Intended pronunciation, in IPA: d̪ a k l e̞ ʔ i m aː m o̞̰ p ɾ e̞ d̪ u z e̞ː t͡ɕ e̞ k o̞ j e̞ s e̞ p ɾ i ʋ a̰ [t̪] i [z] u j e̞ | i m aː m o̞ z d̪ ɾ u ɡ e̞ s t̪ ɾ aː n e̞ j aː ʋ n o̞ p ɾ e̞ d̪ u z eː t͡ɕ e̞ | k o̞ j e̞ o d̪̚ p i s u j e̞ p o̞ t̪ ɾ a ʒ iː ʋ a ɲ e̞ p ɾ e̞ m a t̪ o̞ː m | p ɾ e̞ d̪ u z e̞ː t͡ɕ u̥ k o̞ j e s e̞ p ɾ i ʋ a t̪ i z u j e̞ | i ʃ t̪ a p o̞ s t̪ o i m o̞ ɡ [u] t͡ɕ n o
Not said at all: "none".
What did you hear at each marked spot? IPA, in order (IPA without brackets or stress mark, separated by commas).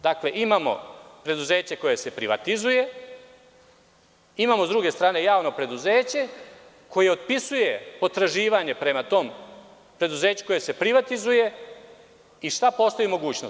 t̪, z, uː